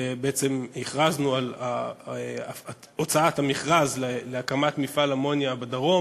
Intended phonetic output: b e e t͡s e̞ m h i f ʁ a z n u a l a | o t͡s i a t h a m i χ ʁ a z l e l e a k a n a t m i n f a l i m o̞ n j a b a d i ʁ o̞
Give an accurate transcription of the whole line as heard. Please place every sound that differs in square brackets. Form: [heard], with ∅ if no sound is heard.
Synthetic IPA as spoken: b e e t͡s e̞ m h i [χ] ʁ a z n u a l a | o t͡s [a] a t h a m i χ ʁ a z l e l e a k a [m] a t m i [∅] f a l [a] m o̞ n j a b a d [a] ʁ o̞